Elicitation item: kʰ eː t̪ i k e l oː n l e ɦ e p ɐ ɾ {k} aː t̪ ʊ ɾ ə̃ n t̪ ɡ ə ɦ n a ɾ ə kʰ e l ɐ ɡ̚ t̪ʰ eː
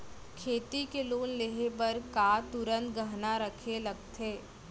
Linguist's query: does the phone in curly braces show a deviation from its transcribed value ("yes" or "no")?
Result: no